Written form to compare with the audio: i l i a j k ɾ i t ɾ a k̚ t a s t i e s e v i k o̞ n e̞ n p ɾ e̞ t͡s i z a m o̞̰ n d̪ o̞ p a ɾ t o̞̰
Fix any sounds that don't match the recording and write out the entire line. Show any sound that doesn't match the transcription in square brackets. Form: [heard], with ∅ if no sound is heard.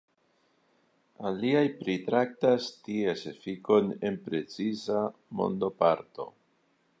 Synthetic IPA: [a] l i a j [p] ɾ i t ɾ a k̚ t a s t i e s e [f] i k o̞ n e̞ n p ɾ e̞ t͡s i z a m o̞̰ n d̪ o̞ p a ɾ t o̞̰